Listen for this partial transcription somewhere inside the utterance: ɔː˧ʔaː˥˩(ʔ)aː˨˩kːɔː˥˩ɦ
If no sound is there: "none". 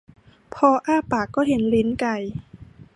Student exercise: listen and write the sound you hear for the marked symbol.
p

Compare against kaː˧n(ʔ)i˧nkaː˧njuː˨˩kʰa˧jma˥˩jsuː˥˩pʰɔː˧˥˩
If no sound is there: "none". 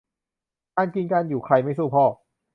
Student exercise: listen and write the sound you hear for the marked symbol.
k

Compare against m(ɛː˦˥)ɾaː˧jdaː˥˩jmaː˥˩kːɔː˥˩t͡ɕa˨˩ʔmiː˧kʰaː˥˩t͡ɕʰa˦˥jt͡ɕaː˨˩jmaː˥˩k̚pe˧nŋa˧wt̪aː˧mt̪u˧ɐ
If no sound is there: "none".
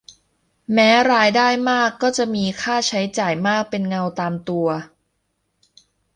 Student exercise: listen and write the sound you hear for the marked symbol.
ɛː˦˥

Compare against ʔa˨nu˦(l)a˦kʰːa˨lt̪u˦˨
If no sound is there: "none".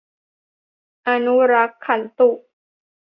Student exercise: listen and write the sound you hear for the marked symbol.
ɾ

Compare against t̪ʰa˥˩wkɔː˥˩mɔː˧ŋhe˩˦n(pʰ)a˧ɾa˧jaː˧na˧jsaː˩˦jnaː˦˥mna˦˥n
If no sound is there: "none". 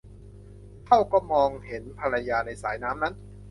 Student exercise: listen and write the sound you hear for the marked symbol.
pʰ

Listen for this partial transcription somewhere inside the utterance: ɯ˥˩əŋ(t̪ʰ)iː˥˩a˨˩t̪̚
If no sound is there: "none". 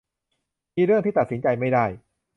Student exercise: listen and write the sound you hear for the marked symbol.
t̪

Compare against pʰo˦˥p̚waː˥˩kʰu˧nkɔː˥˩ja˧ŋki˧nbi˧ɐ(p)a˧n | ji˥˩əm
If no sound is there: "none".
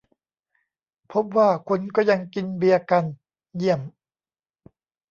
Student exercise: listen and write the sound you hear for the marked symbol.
k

